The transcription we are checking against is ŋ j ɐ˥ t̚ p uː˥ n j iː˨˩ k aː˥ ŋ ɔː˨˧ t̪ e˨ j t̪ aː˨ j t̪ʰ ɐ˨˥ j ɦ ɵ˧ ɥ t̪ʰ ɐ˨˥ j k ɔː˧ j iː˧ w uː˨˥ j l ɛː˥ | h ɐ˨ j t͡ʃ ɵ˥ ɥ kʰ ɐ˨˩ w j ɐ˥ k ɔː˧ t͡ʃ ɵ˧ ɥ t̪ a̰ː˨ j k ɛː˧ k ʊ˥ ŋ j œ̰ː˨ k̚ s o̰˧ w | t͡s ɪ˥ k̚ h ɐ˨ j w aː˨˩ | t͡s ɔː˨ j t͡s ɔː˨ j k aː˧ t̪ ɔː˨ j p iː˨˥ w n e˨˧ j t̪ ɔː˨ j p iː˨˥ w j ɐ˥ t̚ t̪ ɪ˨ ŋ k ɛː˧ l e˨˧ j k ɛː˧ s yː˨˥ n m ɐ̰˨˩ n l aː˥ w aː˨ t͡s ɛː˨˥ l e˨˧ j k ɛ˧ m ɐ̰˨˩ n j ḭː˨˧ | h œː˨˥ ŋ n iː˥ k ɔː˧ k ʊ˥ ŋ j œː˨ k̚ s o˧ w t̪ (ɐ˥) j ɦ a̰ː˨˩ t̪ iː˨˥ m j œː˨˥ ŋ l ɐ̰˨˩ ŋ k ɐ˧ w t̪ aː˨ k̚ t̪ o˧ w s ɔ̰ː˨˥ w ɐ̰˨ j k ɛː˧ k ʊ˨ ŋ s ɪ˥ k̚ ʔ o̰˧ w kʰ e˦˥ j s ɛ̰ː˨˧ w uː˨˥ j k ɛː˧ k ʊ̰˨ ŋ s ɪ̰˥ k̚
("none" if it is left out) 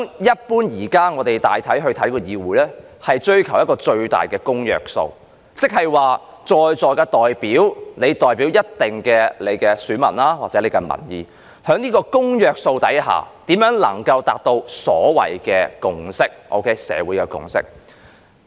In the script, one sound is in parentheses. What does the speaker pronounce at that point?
ɐ˨˥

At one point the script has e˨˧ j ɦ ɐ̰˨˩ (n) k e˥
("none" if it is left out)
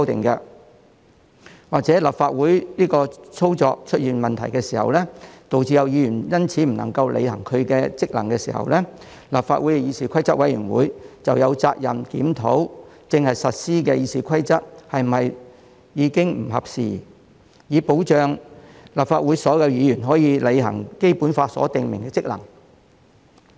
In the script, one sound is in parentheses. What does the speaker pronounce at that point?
ŋ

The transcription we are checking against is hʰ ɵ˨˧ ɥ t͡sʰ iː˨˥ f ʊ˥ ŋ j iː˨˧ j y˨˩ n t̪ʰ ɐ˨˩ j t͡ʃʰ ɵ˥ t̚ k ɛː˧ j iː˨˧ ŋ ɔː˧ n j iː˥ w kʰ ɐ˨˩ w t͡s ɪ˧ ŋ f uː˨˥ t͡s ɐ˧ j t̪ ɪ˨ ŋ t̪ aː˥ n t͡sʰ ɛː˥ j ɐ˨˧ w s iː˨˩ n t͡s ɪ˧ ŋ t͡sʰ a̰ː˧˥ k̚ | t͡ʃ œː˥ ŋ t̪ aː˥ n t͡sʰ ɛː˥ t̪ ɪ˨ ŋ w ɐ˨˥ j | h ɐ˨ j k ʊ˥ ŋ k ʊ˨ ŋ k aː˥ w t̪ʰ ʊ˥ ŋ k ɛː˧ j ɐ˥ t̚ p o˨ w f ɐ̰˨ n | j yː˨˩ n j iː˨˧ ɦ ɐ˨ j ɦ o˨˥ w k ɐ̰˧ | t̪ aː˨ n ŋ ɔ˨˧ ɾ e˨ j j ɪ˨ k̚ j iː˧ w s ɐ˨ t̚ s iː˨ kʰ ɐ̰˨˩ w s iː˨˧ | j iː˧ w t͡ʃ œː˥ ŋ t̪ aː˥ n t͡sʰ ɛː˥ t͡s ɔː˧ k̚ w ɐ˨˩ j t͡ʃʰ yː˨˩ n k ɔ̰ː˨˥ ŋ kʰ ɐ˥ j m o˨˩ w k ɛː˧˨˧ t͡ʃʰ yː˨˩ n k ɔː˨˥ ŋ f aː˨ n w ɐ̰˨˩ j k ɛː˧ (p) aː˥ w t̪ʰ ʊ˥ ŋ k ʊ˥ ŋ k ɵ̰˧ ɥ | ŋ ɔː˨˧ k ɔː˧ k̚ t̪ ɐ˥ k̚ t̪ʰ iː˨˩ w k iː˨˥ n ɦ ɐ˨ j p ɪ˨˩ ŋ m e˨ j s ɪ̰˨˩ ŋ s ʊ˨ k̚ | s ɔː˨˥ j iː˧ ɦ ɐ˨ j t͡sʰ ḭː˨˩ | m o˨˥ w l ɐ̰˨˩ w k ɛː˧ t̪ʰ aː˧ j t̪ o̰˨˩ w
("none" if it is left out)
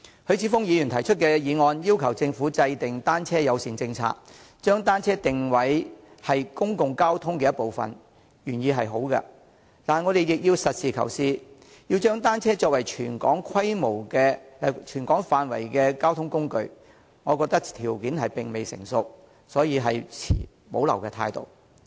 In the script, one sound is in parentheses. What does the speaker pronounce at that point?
k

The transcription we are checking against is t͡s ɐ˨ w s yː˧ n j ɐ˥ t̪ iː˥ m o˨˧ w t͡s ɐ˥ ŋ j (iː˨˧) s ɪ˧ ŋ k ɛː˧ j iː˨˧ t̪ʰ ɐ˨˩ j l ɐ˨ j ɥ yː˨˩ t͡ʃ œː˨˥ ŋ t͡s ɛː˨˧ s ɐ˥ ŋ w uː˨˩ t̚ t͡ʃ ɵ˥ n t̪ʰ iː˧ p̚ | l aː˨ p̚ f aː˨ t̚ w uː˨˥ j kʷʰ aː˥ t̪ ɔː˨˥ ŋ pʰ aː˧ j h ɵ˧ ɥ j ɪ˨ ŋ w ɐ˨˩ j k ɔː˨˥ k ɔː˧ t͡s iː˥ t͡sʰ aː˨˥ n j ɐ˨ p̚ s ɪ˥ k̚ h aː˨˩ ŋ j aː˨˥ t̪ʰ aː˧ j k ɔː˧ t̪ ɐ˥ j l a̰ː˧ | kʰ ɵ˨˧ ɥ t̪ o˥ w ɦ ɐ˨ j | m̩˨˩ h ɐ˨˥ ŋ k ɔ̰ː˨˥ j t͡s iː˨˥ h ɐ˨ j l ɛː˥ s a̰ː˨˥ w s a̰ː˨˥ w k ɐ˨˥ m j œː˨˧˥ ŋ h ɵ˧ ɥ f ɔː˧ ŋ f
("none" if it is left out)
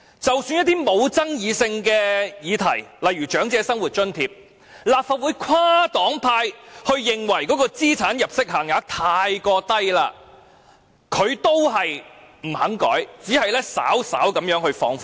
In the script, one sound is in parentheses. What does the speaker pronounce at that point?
iː˨˧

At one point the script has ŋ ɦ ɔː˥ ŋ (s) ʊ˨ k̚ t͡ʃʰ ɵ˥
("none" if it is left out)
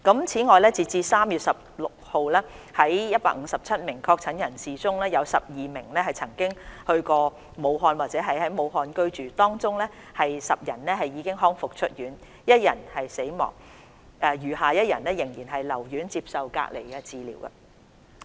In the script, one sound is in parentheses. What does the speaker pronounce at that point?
f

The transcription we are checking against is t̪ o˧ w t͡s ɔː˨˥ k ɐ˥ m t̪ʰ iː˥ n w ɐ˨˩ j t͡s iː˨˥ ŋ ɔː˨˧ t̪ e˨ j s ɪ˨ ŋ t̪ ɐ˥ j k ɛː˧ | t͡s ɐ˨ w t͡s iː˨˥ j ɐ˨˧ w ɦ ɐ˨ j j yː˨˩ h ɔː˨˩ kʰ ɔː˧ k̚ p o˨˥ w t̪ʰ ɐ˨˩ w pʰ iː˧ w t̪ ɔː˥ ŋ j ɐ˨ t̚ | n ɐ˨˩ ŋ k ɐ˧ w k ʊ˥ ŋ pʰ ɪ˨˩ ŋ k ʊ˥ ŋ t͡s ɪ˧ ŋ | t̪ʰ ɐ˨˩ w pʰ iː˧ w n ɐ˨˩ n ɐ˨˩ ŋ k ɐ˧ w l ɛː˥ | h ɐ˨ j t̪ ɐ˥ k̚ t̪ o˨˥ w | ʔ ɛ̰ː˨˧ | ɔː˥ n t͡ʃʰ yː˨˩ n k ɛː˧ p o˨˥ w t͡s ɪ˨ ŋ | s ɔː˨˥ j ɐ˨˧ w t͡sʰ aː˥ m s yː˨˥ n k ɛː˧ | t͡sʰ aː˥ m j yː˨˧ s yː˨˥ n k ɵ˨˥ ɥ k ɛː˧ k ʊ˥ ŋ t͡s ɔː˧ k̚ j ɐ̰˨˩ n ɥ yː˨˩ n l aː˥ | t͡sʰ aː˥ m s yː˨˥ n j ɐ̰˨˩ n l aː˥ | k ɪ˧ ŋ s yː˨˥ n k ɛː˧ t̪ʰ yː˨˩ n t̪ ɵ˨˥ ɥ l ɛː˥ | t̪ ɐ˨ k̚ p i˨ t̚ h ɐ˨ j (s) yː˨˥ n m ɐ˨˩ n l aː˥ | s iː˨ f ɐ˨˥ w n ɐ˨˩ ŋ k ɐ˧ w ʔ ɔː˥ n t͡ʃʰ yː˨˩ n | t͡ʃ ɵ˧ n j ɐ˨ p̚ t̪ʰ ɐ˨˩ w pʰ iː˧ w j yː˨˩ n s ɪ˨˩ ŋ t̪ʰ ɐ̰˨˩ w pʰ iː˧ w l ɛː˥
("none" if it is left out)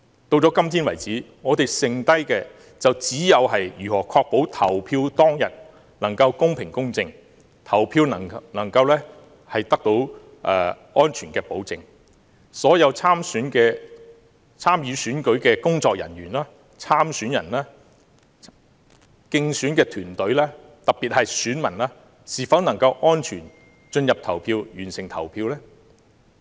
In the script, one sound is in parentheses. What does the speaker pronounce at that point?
s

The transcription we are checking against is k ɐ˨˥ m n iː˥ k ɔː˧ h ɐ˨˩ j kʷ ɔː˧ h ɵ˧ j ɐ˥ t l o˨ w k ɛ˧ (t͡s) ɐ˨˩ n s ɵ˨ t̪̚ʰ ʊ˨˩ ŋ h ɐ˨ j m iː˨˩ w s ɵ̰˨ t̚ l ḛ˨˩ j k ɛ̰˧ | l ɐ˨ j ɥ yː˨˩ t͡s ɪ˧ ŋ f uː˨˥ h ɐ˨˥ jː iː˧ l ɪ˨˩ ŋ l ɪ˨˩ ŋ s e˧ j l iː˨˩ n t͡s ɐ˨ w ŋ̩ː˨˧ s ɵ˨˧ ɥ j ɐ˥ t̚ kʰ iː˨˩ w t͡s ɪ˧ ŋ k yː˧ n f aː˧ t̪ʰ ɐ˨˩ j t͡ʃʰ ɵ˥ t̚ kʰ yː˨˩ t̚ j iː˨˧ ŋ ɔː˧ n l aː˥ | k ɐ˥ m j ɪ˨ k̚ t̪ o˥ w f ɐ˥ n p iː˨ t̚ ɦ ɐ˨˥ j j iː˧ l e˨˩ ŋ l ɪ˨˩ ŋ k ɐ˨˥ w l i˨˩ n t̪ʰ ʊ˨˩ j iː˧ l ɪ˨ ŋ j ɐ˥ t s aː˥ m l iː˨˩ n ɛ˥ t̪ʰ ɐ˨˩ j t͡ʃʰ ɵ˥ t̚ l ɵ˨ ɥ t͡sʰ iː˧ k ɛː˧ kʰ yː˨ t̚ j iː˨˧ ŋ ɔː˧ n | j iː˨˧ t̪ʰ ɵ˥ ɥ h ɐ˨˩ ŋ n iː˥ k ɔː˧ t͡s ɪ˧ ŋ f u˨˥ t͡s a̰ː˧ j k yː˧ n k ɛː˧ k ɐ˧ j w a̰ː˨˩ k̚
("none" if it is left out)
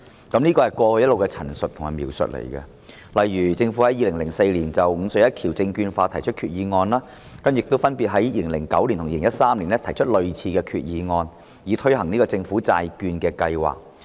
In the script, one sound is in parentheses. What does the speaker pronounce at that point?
t͡sʰ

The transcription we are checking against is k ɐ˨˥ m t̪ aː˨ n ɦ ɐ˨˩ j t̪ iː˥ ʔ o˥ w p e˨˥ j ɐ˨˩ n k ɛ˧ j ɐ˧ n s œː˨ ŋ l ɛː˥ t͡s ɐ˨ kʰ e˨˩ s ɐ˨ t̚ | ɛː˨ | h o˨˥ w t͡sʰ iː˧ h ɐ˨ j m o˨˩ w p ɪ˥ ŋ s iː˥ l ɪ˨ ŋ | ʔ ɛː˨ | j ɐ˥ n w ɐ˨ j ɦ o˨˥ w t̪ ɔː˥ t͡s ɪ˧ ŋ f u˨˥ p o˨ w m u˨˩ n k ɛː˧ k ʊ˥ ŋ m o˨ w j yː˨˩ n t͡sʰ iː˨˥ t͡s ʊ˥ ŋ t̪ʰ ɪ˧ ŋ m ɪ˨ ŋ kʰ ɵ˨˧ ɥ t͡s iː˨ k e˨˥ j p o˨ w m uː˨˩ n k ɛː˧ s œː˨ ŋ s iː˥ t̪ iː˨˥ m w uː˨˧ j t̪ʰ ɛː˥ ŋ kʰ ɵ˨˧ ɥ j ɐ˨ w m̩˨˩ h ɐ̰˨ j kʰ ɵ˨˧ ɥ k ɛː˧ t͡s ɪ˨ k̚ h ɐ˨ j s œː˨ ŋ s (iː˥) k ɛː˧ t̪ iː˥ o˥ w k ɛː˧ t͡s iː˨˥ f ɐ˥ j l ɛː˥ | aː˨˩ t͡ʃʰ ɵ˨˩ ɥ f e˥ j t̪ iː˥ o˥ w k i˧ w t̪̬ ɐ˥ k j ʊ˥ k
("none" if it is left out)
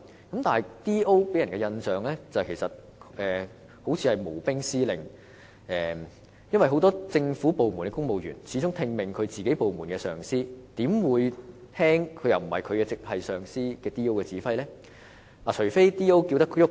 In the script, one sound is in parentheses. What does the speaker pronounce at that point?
iː˥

